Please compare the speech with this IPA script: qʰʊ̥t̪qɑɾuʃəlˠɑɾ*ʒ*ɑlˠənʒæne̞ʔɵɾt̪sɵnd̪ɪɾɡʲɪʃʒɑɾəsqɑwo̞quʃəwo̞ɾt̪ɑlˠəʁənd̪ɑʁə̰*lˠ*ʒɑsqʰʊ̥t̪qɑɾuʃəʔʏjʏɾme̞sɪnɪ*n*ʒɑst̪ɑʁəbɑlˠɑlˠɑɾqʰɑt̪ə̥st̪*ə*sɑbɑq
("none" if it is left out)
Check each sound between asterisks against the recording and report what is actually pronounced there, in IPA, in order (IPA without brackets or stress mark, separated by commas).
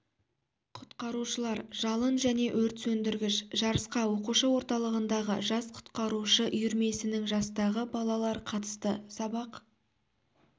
ʒ, none, ŋ, ə